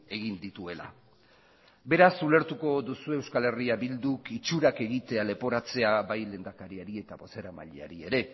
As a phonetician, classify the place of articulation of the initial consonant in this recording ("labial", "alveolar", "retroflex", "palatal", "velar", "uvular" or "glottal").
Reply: velar